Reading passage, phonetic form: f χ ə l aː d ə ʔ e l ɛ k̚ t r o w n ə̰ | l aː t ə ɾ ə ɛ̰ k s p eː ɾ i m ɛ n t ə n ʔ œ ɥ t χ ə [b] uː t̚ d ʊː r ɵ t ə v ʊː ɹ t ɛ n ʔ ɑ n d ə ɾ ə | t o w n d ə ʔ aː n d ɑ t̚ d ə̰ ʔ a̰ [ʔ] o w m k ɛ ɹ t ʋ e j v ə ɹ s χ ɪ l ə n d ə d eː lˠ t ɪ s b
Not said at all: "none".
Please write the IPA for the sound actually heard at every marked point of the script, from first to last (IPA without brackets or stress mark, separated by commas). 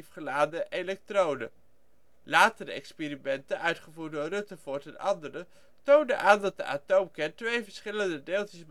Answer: v, t